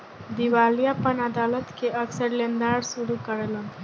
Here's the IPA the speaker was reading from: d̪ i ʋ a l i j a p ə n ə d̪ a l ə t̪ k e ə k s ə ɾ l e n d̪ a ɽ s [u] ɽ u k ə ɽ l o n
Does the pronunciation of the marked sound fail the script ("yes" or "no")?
no